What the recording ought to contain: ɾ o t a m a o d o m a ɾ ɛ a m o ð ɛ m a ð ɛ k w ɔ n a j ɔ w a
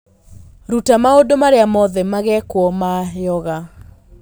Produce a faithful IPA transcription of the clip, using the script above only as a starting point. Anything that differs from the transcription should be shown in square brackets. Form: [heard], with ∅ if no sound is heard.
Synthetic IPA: ɾ [u] t a m a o d o m a ɾ [e] a m [ɔ] ð ɛ m a [ɣ] ɛ k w ɔ [m] a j ɔ [ɣ] a